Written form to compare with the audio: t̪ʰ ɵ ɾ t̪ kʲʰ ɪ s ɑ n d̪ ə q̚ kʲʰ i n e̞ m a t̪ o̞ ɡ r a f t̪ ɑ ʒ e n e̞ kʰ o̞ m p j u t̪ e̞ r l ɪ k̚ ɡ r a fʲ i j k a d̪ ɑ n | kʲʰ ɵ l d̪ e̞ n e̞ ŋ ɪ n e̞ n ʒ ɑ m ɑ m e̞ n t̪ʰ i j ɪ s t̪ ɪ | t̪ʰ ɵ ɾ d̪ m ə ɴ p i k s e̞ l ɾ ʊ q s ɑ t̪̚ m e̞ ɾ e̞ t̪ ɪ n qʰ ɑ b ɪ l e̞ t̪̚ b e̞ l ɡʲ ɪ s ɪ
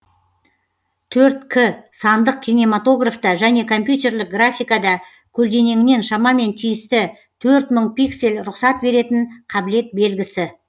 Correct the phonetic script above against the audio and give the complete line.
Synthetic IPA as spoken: t̪ʰ ɵ ɾ t̪ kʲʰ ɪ s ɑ n d̪ ə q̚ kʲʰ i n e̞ m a t̪ o̞ ɡ r a f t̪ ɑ ʒ æ n e̞ kʰ o̞ m p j u t̪ e̞ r l ɪ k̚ ɡ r a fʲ i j k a d̪ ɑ | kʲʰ ɵ l d̪ e̞ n e̞ ŋ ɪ n e̞ n ʃ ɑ m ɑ m e̞ n t̪ʰ i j ɪ s t̪ ɪ | t̪ʰ ɵ ɾ t̪ m ə ɴ p i k s e̞ l ɾ ʊ q s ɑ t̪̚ b e̞ ɾ e̞ t̪ ɪ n qʰ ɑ b ɪ l e̞ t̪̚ b e̞ l ɡʲ ɪ s ɪ